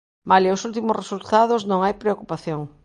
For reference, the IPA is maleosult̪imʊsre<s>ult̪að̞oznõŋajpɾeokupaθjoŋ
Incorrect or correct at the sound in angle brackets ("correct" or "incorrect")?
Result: correct